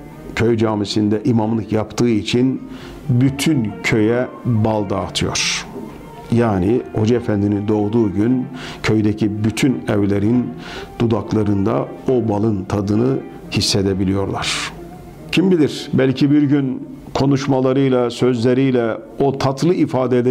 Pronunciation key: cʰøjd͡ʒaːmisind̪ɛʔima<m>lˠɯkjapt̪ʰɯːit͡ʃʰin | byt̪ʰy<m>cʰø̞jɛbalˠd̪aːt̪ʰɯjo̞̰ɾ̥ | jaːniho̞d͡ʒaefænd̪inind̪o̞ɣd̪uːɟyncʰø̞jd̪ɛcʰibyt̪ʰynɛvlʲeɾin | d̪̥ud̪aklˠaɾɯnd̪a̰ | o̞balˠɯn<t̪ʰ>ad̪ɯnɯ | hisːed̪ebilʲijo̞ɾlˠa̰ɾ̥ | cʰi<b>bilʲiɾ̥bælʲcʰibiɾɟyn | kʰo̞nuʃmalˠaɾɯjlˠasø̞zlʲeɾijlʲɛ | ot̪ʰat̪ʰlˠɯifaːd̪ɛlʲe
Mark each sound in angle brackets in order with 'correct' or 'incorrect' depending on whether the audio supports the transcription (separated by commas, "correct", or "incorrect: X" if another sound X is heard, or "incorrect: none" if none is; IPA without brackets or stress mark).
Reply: correct, incorrect: n, correct, incorrect: m